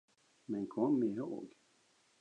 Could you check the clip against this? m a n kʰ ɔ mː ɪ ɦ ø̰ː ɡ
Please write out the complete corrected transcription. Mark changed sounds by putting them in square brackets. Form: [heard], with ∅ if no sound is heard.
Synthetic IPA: m [ɛ] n kʰ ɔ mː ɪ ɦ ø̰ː ɡ